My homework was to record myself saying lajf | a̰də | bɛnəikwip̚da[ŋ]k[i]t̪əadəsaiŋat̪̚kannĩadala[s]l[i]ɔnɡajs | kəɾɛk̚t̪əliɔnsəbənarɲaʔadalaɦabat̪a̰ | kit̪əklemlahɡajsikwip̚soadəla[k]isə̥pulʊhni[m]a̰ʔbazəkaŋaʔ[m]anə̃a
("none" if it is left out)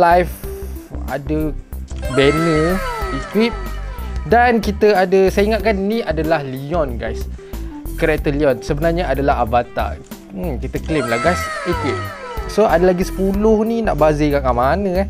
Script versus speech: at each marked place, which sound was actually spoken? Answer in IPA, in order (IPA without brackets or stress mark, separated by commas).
n, i, h, i, ɡ, n, m